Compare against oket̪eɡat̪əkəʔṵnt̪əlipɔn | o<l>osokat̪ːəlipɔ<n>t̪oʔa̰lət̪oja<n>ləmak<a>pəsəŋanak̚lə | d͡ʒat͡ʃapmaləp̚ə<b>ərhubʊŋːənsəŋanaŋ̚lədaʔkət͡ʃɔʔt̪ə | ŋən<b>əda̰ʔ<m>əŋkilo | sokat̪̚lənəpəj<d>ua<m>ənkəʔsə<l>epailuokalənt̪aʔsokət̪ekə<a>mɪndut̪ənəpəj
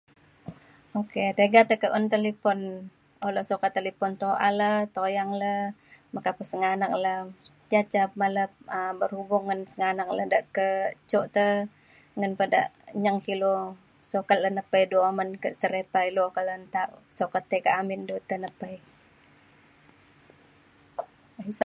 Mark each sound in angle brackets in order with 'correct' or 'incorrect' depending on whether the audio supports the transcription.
correct, correct, incorrect, correct, correct, incorrect, incorrect, correct, correct, incorrect, correct

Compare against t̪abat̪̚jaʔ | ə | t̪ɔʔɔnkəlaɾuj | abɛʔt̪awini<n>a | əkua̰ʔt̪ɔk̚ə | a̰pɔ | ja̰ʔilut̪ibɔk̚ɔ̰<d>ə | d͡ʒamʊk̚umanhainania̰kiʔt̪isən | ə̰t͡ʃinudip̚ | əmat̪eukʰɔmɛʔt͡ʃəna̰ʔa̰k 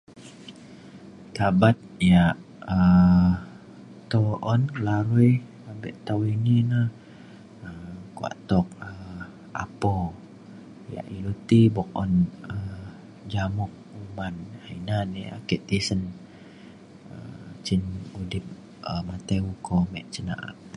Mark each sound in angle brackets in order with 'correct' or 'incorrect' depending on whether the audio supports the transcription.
correct, incorrect

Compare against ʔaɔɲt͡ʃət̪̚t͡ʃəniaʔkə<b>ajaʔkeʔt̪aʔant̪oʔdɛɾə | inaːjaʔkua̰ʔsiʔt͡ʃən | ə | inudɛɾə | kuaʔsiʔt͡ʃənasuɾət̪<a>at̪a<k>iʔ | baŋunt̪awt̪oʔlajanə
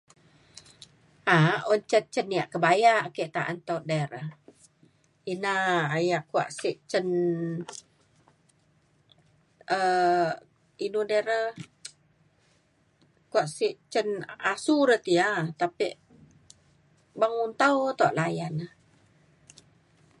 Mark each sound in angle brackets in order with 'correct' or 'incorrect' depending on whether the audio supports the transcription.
correct, incorrect, incorrect

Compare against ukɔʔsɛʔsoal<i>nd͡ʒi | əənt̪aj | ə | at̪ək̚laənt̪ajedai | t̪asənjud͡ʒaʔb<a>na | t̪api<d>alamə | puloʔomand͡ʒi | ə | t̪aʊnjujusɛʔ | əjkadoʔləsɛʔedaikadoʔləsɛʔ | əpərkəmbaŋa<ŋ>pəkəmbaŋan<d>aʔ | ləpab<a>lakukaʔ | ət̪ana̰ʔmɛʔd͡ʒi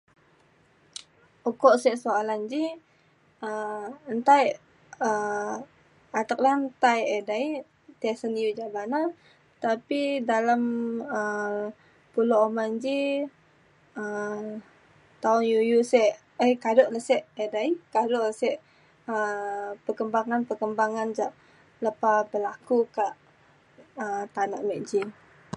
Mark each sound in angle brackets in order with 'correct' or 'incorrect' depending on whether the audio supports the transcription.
incorrect, correct, correct, incorrect, incorrect, incorrect

